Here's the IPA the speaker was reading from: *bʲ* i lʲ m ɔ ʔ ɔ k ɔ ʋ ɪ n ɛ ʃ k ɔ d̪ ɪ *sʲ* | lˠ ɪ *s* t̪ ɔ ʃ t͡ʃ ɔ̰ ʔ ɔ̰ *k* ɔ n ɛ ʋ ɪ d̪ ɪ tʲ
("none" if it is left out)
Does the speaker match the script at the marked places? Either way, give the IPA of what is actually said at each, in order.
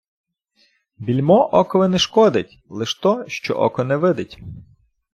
bʲ, tʲ, ʃ, k

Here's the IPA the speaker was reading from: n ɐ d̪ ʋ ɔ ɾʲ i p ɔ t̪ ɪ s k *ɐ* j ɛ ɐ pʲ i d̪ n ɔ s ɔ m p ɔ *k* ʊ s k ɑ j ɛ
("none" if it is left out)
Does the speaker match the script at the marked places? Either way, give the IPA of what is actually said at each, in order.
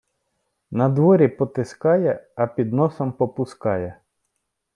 ɑ, p

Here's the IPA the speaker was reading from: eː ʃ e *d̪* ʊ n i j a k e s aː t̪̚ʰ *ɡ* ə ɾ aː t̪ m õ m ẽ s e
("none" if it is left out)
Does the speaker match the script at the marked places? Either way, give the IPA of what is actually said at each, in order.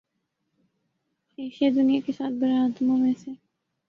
d̪, b

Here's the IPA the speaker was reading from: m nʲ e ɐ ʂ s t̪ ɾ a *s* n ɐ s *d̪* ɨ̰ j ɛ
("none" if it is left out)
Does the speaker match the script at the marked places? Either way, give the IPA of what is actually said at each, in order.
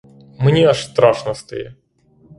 ʂ, t̪

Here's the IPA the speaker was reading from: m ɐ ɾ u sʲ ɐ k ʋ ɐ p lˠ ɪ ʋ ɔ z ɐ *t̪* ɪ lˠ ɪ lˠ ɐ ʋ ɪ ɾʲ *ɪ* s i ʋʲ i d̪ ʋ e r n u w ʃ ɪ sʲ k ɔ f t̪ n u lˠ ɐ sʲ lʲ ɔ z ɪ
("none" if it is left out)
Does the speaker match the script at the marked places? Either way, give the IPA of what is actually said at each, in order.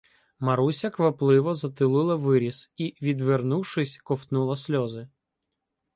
t̪, i

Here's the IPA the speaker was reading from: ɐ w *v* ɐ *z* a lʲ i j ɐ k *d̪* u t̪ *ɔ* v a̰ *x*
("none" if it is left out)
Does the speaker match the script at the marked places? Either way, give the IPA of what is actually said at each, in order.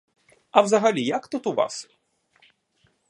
z, ɣ, t̪, u, s

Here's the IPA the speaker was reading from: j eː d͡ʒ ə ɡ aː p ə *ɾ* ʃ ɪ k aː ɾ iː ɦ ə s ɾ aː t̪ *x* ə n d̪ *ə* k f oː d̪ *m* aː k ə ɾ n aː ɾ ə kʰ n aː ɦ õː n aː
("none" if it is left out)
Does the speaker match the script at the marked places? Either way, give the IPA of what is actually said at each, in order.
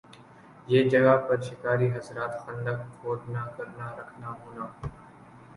ɾ, x, ə, n

